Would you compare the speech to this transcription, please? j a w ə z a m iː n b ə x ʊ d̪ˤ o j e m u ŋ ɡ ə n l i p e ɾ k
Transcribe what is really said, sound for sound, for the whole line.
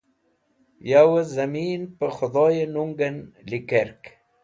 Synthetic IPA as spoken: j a w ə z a m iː n p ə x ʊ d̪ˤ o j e n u ŋ ɡ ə n l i k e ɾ k